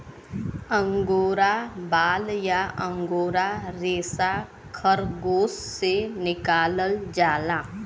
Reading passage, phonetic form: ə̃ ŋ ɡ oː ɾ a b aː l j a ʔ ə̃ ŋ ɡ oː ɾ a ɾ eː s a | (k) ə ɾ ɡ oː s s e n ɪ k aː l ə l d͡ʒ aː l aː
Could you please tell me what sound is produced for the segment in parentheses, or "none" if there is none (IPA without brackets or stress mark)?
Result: kʰ